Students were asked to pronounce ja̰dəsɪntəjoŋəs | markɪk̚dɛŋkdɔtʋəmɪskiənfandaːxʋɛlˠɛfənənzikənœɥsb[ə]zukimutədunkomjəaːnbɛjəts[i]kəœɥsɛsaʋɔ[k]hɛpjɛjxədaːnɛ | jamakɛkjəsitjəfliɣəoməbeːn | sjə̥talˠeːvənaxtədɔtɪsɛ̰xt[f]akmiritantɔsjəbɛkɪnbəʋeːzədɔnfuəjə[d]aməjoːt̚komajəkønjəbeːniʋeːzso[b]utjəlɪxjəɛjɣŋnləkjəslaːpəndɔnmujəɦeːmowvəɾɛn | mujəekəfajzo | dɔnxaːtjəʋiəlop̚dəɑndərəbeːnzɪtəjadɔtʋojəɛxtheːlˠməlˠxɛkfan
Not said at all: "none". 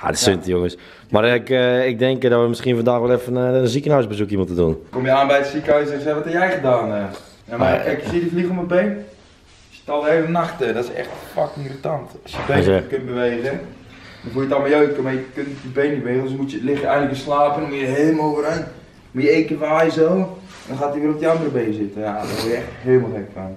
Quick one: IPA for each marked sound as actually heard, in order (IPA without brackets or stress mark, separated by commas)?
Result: ə, i, t, f, t, m